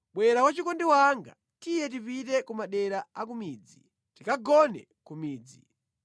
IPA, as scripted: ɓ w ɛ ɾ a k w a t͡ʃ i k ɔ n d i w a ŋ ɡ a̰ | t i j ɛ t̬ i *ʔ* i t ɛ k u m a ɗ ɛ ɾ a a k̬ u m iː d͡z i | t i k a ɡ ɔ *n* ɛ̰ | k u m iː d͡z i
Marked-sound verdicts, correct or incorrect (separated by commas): incorrect, correct